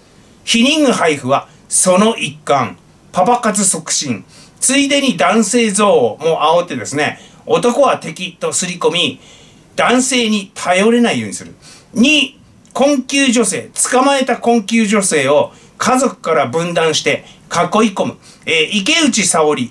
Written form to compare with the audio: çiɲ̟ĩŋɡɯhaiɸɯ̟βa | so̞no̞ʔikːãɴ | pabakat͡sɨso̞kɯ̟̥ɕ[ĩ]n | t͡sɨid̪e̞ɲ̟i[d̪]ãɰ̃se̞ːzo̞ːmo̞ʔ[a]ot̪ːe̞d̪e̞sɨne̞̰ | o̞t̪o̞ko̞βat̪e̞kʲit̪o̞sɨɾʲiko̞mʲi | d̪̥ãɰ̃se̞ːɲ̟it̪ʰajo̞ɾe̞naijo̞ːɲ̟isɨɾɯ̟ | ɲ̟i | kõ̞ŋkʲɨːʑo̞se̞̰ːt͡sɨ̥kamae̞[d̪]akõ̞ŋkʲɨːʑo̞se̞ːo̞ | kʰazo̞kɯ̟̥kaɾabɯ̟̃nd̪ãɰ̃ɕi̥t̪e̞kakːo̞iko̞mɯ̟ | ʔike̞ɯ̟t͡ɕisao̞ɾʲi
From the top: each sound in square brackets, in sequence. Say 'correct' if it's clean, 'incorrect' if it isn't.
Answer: correct, correct, correct, incorrect

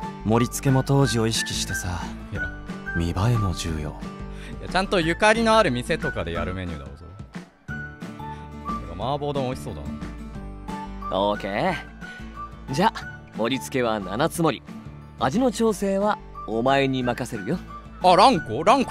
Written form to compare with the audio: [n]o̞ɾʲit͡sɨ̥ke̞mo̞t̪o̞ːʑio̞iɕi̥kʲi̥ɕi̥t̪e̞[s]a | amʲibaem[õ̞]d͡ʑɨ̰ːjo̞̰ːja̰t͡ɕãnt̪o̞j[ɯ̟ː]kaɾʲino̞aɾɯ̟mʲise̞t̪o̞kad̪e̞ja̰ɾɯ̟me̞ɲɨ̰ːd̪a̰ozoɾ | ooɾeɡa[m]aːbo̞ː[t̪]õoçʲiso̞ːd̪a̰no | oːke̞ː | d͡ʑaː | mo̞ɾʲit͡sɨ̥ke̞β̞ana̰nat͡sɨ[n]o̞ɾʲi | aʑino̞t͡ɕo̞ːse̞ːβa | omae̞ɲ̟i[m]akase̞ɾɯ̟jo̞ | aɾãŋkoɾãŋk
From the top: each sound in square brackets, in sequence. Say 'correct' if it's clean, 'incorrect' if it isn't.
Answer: incorrect, correct, incorrect, incorrect, correct, incorrect, incorrect, correct

